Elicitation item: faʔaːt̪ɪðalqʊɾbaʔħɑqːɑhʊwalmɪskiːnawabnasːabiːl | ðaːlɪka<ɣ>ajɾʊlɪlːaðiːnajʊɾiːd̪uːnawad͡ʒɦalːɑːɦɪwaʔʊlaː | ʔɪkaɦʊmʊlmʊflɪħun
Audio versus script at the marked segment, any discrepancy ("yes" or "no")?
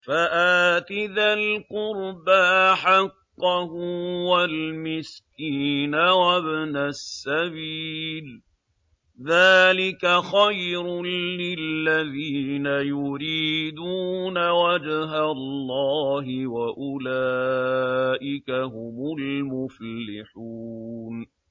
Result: yes